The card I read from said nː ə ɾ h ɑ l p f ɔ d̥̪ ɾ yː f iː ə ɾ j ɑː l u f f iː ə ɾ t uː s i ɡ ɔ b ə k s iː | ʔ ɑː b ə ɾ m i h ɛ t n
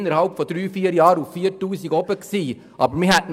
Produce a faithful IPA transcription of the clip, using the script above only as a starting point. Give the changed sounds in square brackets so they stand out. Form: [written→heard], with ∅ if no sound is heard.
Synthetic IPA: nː ə ɾ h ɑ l p f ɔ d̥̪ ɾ yː f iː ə ɾ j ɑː [l→ɾ] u f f iː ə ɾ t uː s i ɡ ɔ b ə k s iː | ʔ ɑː b ə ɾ m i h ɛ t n